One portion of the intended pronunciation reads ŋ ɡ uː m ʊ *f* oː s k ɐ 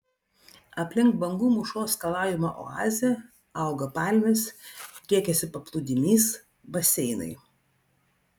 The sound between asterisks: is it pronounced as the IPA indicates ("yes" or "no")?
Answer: no